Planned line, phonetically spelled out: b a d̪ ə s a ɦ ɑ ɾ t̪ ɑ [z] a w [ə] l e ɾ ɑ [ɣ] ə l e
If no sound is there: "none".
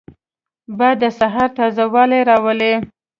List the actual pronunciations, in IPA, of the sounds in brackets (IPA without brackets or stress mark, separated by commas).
z, ɑ, w